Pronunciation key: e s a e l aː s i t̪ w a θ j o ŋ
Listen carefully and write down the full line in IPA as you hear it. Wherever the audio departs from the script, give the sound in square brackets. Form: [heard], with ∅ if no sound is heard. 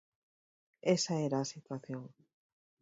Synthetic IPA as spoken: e s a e [ɾ] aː s i t̪ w a θ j o ŋ